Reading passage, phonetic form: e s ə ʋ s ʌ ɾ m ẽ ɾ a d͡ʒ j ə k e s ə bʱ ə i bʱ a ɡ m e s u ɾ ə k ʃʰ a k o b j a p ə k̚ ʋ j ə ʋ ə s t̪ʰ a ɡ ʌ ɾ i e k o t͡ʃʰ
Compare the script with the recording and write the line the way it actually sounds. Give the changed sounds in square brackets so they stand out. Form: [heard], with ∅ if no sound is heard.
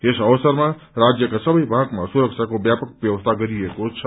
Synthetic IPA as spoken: e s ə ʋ s [ə] ɾ m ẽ ɾ a d͡ʒ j ə k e s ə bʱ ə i bʱ a ɡ m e s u ɾ ə k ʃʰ a k o b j a p ə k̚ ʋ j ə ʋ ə s t̪ʰ a ɡ [ə] ɾ i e k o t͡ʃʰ